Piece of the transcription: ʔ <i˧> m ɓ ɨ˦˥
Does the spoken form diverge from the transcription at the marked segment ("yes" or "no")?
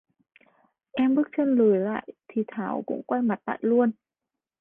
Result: yes